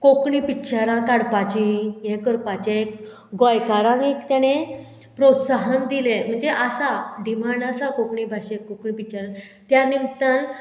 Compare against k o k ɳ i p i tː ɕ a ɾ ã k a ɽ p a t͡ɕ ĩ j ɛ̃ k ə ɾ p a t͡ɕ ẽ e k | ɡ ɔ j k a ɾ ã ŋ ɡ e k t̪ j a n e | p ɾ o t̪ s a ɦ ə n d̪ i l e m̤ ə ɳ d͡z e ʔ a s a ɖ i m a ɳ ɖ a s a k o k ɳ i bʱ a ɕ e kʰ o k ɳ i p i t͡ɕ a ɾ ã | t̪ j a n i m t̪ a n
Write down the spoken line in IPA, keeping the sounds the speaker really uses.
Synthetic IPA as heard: k o k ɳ i p i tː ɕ a ɾ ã k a ɽ p a t͡ɕ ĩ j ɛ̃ k ə ɾ p a t͡ɕ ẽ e k | ɡ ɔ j k a ɾ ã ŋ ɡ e k t̪ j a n e | p ɾ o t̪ s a ɦ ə n d̪ i l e m̤ ə ɳ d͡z e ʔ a s a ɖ i m a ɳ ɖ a s a k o k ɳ i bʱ a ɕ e k o k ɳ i p i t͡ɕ a ɾ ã | t̪ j a n i m t̪ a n